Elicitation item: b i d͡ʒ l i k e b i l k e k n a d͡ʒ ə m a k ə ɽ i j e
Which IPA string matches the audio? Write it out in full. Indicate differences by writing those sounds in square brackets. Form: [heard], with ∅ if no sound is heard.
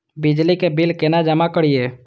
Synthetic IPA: b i d͡ʒ l i k e b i l k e [∅] n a d͡ʒ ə m a k ə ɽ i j e